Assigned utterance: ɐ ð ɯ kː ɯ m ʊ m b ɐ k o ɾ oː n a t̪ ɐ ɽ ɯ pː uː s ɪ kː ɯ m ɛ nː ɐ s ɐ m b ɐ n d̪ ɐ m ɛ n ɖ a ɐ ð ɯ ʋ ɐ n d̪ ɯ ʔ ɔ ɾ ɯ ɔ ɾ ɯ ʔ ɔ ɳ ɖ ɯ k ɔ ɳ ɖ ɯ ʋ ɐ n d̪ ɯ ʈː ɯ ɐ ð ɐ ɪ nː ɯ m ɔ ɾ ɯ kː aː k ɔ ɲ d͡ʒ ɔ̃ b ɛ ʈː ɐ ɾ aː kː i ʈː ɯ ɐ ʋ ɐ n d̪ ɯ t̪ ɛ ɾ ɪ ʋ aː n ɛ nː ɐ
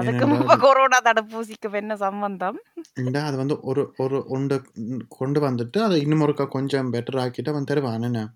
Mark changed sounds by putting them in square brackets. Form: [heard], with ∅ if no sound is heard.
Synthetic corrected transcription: ɐ ð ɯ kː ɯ m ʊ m b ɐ k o ɾ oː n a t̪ ɐ ɽ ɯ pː uː s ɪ kː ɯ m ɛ nː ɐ s ɐ m b ɐ n d̪ ɐ m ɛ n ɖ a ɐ ð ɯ ʋ ɐ n d̪ ɯ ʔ ɔ ɾ ɯ ɔ ɾ ɯ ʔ ɔ ɳ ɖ ɯ k ɔ ɳ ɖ ɯ ʋ ɐ n d̪ ɯ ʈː ɯ ɐ ð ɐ ɪ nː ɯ m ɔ ɾ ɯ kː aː k ɔ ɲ d͡ʒ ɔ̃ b ɛ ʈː ɐ ɾ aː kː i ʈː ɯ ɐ ʋ ɐ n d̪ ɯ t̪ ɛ ɾ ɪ ʋ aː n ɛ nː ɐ